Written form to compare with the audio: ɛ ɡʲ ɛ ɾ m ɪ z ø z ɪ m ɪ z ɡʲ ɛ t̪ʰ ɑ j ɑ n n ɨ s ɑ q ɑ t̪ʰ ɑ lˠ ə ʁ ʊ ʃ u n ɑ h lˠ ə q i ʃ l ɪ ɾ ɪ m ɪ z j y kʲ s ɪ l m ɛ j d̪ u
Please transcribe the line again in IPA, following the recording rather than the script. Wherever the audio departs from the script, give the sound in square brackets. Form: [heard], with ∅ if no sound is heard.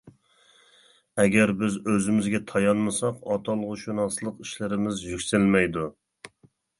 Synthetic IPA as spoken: ɛ ɡʲ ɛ ɾ [b] ɪ z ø z ɪ m ɪ z ɡʲ ɛ t̪ʰ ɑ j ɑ n [m] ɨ s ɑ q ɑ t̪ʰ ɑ lˠ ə ʁ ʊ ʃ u n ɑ [s] lˠ ə q i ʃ l ɪ ɾ ɪ m ɪ z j y kʲ s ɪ l m ɛ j d̪ u

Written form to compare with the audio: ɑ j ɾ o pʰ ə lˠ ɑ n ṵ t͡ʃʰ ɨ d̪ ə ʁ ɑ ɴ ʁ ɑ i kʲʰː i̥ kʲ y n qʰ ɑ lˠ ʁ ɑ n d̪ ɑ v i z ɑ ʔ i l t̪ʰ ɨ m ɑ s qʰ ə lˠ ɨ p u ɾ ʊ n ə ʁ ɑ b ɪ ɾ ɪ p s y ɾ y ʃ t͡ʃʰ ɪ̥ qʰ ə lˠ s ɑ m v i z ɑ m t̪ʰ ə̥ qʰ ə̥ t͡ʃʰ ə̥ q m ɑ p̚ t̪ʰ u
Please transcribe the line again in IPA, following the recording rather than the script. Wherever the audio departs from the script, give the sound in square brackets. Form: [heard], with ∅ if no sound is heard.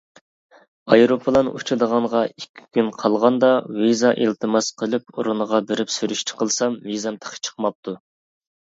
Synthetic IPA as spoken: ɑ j ɾ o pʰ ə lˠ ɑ n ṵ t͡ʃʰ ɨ d̪ ə ʁ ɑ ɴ ʁ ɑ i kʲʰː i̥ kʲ y n qʰ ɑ lˠ ʁ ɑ n d̪ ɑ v i z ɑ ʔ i l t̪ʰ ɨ m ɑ s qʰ ə lˠ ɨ p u ɾ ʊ n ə ʁ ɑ b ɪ ɾ ɪ p s y ɾ y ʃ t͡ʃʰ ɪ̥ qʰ ə lˠ s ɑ m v i z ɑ m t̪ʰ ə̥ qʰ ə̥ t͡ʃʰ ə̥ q m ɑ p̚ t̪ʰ u

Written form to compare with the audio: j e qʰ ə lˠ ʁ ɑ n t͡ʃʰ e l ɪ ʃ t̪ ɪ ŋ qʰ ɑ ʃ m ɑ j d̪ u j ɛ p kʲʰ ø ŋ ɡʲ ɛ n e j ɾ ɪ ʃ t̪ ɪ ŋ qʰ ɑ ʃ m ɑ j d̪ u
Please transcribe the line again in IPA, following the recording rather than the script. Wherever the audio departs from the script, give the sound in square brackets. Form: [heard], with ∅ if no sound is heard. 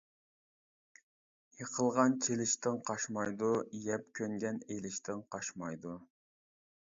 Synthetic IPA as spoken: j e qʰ ə lˠ ʁ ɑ n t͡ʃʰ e l ɪ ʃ t̪ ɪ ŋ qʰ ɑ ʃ m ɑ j d̪ u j ɛ p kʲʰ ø ŋ ɡʲ ɛ n e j [l] ɪ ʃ t̪ ɪ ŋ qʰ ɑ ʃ m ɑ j d̪ u

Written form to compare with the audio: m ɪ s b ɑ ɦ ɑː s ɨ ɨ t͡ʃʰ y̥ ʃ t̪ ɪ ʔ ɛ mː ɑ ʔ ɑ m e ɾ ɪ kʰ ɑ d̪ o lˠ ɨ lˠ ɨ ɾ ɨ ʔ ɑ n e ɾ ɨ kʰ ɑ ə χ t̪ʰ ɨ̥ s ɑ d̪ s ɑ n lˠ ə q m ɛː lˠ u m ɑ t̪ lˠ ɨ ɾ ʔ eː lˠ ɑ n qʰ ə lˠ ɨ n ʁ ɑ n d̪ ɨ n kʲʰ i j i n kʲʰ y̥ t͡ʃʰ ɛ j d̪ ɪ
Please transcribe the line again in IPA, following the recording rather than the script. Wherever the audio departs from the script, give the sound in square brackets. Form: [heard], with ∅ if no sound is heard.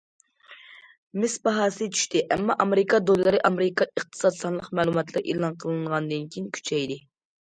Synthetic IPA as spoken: m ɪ s b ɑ ɦ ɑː s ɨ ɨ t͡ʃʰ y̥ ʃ t̪ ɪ ʔ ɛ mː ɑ ʔ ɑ m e ɾ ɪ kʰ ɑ d̪ o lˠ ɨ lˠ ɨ ɾ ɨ ʔ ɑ [m] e ɾ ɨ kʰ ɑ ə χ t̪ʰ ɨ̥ s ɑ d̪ s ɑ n lˠ ə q m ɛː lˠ u m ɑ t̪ lˠ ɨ ɾ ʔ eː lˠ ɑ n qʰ ə lˠ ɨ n ʁ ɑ n d̪ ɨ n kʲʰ i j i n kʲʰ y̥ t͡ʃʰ ɛ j d̪ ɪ

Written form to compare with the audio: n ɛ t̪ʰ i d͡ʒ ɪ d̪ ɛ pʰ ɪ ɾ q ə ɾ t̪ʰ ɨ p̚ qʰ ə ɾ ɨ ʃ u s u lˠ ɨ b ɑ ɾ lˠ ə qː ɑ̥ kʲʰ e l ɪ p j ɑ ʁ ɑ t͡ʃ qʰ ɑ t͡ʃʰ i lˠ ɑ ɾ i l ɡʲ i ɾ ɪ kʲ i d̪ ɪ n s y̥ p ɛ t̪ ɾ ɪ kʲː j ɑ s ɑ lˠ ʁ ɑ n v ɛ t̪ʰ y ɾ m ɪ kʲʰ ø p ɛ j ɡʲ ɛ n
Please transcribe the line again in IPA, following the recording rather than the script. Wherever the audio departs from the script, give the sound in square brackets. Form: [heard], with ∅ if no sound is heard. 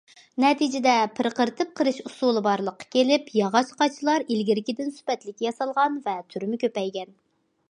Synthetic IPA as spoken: n ɛ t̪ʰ i d͡ʒ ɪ d̪ ɛ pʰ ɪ ɾ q ə ɾ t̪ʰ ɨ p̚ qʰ ə ɾ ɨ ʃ u s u lˠ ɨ b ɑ ɾ lˠ ə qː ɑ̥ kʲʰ e l ɪ p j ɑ ʁ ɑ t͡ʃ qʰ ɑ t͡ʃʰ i lˠ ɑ ɾ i l ɡʲ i ɾ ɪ kʲ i d̪ ɪ n s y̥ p ɛ t̪ [l] ɪ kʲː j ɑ s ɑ lˠ ʁ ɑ n v ɛ t̪ʰ y ɾ m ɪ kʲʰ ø p ɛ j ɡʲ ɛ n

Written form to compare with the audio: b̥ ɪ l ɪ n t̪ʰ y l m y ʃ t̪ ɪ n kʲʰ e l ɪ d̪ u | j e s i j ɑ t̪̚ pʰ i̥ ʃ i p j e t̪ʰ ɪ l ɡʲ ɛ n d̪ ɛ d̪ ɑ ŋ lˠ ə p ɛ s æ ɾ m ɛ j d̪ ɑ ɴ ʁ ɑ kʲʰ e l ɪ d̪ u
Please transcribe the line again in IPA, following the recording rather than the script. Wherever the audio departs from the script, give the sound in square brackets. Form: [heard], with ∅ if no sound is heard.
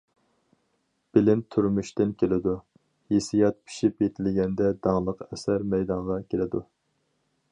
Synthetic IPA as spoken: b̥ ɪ l ɪ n t̪ʰ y [ɾ] m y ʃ t̪ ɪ n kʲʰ e l ɪ d̪ u | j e s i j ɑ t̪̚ pʰ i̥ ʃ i p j e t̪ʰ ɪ l ɡʲ ɛ n d̪ ɛ d̪ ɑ ŋ lˠ ə [q] ɛ s æ ɾ m ɛ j d̪ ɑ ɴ ʁ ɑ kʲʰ e l ɪ d̪ u

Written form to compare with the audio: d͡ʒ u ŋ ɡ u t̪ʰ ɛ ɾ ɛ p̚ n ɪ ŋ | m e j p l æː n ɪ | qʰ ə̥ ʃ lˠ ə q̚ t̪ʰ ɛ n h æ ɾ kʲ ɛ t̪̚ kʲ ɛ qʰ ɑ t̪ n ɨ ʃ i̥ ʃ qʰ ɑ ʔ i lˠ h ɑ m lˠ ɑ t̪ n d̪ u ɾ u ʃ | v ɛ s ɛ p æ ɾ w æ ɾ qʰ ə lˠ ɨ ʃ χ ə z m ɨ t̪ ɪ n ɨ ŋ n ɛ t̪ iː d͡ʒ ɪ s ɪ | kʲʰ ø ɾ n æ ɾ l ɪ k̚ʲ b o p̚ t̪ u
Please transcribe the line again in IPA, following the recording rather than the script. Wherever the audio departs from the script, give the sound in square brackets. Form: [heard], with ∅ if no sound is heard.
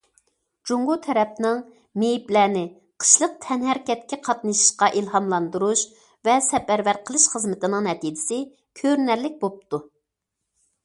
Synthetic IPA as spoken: d͡ʒ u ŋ ɡ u t̪ʰ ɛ ɾ ɛ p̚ n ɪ ŋ | m e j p l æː n ɪ | qʰ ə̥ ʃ lˠ ə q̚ t̪ʰ ɛ n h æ ɾ kʲ ɛ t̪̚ kʲ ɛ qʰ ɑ t̪ n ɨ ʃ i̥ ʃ [q] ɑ ʔ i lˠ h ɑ m lˠ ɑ [∅] n d̪ u ɾ u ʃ | v ɛ s ɛ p æ ɾ [v] æ ɾ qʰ ə lˠ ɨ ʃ χ ə z m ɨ t̪ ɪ n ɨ ŋ n ɛ t̪ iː d͡ʒ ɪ s ɪ | kʲʰ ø ɾ n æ ɾ l ɪ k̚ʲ b o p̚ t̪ u

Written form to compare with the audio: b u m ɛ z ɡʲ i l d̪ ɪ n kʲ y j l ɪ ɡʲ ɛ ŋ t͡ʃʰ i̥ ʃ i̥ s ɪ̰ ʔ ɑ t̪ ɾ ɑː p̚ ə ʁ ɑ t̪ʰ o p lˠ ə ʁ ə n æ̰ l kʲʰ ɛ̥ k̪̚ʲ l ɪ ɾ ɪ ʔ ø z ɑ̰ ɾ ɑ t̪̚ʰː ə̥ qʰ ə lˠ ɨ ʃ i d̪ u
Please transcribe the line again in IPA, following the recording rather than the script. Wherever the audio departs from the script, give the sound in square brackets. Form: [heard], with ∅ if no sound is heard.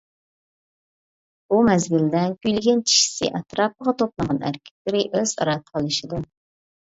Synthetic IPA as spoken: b u m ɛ z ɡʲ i l d̪ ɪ n kʲ y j l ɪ ɡʲ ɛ [n] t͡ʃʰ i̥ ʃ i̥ s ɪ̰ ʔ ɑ t̪ ɾ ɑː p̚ ə ʁ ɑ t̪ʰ o p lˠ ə ʁ [ɑ] n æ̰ [ɾ] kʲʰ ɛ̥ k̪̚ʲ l ɪ ɾ ɪ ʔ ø z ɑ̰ ɾ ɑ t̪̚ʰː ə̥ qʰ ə lˠ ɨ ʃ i d̪ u

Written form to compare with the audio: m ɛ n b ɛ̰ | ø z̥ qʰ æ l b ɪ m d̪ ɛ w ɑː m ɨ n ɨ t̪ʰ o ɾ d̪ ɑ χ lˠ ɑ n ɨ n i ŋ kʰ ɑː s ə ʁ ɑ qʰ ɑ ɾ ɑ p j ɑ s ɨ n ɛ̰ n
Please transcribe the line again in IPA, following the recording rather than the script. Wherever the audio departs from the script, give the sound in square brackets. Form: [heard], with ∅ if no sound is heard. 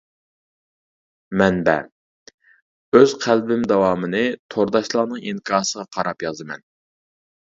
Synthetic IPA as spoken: m ɛ n b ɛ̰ | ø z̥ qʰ æ l b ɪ m d̪ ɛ w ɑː m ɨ n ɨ t̪ʰ o ɾ d̪ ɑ [ʃ] lˠ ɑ n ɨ [ŋ] i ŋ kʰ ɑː s ə ʁ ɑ qʰ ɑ ɾ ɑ p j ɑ [z] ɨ [m] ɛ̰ n

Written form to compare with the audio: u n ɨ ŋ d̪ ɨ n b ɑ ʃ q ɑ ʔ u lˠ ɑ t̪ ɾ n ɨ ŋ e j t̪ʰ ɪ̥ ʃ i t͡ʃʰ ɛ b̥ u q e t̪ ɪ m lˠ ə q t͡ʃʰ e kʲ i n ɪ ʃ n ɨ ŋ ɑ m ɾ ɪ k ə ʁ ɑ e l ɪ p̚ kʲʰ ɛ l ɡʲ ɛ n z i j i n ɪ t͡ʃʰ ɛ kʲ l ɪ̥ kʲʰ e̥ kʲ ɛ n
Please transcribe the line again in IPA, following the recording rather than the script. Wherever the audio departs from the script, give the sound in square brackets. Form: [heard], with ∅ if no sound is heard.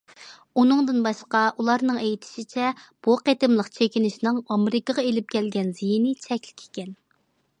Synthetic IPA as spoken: u n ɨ ŋ d̪ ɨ n b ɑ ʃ q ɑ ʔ u lˠ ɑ [∅] ɾ n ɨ ŋ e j t̪ʰ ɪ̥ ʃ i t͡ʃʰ ɛ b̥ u q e t̪ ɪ m lˠ ə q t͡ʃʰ e kʲ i n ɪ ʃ n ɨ ŋ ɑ m ɾ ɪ k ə ʁ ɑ e l ɪ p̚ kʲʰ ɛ l ɡʲ ɛ n z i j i n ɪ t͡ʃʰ ɛ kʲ l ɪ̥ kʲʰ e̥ kʲ ɛ n

